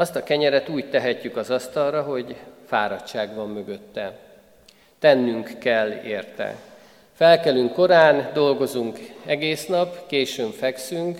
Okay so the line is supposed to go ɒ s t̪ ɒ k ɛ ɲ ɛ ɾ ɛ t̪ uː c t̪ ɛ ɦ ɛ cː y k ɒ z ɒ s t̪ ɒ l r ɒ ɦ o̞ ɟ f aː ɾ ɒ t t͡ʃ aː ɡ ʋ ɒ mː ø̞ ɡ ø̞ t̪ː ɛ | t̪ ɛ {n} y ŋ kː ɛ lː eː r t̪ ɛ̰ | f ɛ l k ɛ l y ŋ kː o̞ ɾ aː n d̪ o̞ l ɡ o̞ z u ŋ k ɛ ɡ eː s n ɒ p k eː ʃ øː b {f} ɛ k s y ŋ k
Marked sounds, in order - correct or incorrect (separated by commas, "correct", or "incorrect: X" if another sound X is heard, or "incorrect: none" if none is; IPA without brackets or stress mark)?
incorrect: nː, correct